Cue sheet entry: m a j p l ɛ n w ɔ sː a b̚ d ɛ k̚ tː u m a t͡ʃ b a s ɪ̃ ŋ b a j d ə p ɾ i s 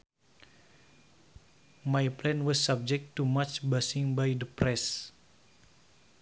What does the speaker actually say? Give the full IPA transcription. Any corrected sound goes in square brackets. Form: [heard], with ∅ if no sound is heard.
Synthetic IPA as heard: m a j p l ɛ n w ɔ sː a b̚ [d͡ʒ] ɛ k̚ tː u m a t͡ʃ b a s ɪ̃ ŋ b a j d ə p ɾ [ɛ] s